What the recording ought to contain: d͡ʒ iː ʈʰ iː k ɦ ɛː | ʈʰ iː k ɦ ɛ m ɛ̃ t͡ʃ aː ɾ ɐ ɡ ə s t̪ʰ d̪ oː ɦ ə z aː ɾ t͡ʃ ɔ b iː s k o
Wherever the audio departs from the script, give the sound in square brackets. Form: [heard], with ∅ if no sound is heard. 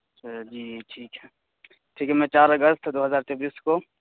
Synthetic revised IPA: d͡ʒ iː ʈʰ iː k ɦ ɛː | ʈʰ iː k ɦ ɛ m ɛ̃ t͡ʃ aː ɾ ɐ ɡ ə s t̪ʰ d̪ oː ɦ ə z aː ɾ t͡ʃ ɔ b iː s k o